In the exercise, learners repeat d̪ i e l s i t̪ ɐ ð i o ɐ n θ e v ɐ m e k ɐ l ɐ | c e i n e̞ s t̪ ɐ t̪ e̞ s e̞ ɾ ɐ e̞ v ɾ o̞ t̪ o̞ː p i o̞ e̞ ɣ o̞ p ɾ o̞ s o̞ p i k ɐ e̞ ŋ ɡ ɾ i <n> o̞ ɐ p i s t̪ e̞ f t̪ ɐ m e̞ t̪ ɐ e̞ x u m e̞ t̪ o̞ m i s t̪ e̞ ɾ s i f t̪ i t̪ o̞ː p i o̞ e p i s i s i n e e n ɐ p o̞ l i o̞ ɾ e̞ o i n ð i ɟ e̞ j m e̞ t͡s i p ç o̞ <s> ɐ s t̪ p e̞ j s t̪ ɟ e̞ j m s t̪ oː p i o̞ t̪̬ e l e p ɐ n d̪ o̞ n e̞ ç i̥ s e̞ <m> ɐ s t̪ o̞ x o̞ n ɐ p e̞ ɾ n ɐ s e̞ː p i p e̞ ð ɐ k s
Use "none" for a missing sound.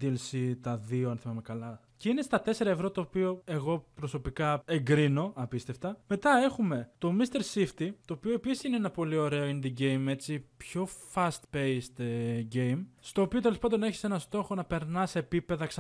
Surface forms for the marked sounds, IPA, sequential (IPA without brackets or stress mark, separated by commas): n, f, n